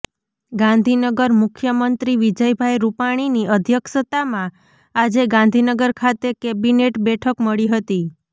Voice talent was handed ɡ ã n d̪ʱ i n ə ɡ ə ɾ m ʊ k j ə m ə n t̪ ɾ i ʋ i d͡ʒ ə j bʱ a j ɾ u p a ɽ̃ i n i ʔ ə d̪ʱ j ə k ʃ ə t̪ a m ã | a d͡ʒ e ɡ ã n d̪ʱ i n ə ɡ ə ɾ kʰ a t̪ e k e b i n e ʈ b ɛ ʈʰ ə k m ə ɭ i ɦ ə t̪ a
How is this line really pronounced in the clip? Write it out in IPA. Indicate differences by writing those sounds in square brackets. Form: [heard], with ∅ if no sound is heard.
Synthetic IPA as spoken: ɡ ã n d̪ʱ i n ə ɡ ə ɾ m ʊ [kʰ] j ə m ə n t̪ ɾ i ʋ i d͡ʒ ə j bʱ a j ɾ u p a ɽ̃ i n i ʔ ə d̪ʱ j ə k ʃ ə t̪ a m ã | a d͡ʒ e ɡ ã n d̪ʱ i n ə ɡ ə ɾ kʰ a t̪ e k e b i n e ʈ b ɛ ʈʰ ə k m ə ɭ i ɦ ə t̪ [i]